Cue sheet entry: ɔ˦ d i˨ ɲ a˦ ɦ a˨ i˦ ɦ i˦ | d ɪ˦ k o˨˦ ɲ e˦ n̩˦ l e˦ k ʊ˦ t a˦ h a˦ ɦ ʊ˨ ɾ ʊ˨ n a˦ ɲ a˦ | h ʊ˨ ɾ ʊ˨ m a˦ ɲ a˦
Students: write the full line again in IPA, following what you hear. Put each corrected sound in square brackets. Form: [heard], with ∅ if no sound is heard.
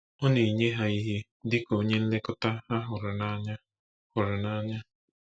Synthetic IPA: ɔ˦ [n] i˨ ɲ [e˦] ɦ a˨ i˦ ɦ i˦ | d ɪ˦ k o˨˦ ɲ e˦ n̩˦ l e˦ k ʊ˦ t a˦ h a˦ ɦ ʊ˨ ɾ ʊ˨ n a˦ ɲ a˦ | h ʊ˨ ɾ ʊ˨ [n] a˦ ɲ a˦